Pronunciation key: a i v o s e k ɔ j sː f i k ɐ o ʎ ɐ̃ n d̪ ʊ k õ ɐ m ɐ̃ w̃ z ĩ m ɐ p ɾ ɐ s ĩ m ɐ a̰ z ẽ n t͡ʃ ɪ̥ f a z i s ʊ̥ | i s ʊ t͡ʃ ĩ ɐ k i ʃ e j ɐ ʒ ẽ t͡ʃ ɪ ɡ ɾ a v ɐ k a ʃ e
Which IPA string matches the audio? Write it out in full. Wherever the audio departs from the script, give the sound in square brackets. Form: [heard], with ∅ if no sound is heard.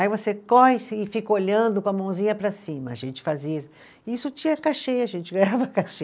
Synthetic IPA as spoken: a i v o s e k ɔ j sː f i k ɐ o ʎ ɐ̃ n d̪ ʊ k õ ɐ m ɐ̃ w̃ z ĩ [ɲ] ɐ p ɾ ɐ s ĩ m ɐ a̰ [ʒ] ẽ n t͡ʃ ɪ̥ f a z i s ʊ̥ | i s ʊ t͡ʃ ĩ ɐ k [a] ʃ e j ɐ ʒ ẽ t͡ʃ ɪ ɡ ɾ a v ɐ k a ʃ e

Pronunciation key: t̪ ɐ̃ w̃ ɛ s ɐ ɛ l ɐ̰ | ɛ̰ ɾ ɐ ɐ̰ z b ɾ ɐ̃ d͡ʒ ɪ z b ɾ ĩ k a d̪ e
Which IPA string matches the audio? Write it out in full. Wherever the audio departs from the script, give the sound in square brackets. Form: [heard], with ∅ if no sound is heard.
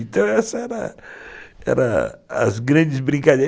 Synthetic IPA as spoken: t̪ ɐ̃ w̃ ɛ s ɐ ɛ [ɾ] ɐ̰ | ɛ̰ ɾ ɐ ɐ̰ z [ɡ] ɾ ɐ̃ d͡ʒ ɪ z b ɾ ĩ k a d̪ e

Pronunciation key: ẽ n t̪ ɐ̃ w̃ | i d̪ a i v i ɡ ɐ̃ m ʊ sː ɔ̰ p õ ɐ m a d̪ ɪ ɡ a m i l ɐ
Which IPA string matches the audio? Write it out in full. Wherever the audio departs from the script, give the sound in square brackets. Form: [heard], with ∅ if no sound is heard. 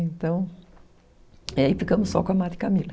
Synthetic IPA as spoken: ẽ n t̪ ɐ̃ w̃ | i [∅] a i [f] i [k] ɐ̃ m ʊ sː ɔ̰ [k] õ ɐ m a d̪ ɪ [k] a m i l ɐ

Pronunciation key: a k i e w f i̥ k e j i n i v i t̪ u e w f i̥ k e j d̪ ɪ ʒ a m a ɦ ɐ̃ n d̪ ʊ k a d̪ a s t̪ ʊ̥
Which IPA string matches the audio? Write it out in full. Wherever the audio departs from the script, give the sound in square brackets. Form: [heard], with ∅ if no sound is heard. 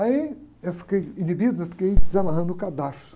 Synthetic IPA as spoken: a [∅] i e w f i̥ k e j i n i [b] i [d̪] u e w f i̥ k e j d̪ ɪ [z] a m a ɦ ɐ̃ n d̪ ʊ k a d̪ a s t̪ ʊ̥

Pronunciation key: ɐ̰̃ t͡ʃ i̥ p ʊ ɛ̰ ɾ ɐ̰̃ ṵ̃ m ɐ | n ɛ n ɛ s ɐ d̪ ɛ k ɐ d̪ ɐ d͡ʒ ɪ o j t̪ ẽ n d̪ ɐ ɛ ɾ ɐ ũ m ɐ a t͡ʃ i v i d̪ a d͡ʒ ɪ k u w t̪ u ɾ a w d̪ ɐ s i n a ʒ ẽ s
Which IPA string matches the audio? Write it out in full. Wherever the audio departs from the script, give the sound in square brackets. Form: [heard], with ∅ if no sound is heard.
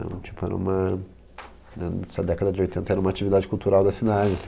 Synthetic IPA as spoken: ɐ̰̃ t͡ʃ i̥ p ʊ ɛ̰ ɾ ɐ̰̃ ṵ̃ m ɐ | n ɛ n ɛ s ɐ d̪ ɛ k ɐ d̪ ɐ d͡ʒ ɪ o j t̪ ẽ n [t̪] ɐ ɛ ɾ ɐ ũ m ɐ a t͡ʃ i v i d̪ a d͡ʒ ɪ k u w t̪ u ɾ a w d̪ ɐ s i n a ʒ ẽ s

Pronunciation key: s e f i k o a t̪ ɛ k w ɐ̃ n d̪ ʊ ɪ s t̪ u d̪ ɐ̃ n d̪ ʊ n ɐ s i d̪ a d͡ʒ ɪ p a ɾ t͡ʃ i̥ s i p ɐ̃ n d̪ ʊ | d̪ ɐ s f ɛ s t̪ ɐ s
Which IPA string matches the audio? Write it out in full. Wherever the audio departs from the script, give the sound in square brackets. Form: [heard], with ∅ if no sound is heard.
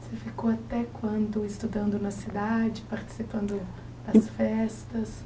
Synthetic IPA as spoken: s e f i k o a t̪ ɛ k w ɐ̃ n d̪ ʊ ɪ s t̪ u d̪ ɐ̃ n d̪ ʊ n ɐ s i d̪ a d͡ʒ ɪ p a ɾ t͡ʃ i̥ s i p ɐ̃ n d̪ ʊ | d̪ ɐ s f ɛ s t̪ ɐ s

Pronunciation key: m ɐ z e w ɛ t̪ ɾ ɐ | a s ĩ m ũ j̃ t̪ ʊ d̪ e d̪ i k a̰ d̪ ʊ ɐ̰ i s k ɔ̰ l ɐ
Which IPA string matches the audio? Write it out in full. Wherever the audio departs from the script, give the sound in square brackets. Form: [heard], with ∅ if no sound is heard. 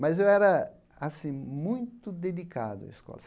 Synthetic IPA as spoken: m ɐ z e w ɛ [∅] ɾ ɐ | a s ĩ m ũ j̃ t̪ ʊ d̪ e d̪ i k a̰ d̪ ʊ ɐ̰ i s k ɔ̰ l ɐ

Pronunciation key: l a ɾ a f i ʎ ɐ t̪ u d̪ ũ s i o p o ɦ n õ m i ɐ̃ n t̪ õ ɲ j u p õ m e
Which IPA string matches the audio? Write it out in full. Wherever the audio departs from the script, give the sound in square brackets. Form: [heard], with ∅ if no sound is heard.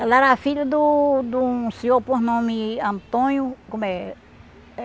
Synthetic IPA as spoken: l a ɾ a f i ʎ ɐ [d̪] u d̪ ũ s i o p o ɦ n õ m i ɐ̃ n t̪ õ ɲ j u [k] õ m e

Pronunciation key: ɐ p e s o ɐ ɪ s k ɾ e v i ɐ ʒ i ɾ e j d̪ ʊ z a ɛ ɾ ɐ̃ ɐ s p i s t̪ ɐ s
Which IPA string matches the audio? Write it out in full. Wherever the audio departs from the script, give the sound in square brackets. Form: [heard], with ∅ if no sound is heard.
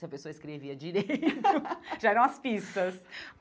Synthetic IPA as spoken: ɐ p e s o ɐ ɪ s k ɾ e v i ɐ [d͡ʒ] i ɾ e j [t̪] ʊ [ʒ] a ɛ ɾ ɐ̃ ɐ s p i s t̪ ɐ s

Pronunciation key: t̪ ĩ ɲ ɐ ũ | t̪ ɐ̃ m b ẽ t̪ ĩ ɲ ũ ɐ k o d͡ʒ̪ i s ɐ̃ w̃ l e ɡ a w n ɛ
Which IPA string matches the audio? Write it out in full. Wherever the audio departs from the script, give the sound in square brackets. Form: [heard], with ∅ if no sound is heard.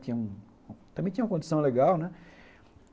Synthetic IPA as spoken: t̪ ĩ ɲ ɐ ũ | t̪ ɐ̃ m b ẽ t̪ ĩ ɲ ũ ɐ k [õ] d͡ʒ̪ i s ɐ̃ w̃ l e ɡ a w n ɛ

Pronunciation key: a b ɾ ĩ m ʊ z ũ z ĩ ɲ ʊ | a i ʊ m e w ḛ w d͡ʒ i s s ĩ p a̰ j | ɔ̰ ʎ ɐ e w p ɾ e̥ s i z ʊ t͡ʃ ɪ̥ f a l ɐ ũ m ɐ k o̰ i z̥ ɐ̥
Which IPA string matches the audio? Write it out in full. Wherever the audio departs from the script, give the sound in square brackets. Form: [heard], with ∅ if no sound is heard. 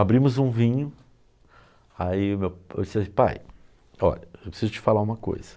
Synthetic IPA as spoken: a b ɾ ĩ m ʊ z ũ [v] ĩ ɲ ʊ | a i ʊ m e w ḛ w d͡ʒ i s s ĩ p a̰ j | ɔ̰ ʎ ɐ e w p ɾ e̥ s i z ʊ t͡ʃ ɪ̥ f a l [a] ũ m ɐ k o̰ [j] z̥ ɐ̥

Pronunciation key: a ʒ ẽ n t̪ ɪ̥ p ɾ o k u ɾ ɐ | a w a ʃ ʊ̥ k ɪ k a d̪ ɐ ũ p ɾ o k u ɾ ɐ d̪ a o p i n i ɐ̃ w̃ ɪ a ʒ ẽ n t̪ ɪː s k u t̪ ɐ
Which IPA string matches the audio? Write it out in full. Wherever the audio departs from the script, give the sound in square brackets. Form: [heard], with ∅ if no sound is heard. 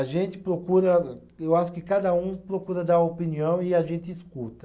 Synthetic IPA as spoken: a ʒ ẽ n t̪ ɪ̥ p ɾ o k u ɾ ɐ | [e] w a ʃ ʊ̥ k ɪ k a d̪ ɐ ũ p ɾ o k u ɾ ɐ d̪ a o p i n i ɐ̃ w̃ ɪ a ʒ ẽ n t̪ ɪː s k u t̪ ɐ

